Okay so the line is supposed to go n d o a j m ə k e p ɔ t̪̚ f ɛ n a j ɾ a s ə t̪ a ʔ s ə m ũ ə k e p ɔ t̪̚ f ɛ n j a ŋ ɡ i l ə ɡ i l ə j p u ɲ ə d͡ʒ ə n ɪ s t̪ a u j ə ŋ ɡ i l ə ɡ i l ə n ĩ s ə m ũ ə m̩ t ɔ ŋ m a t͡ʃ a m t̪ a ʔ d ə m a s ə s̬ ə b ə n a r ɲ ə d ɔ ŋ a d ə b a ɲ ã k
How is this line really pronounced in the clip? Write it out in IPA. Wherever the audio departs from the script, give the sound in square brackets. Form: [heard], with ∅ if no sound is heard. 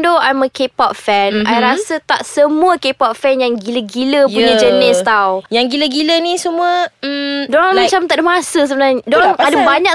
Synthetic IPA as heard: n d o a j m ə k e p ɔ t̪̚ f ɛ n a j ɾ a s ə t̪ a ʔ s ə m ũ ə k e p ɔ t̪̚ f ɛ n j a ŋ ɡ i l ə ɡ i l ə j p u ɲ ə d͡ʒ ə n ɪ s t̪ a [w] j [a] ŋ ɡ i l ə ɡ i l ə n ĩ s ə m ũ ə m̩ [d] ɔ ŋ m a t͡ʃ a m t̪ a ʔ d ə m a s ə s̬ ə b ə n a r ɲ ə d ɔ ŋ a d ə b a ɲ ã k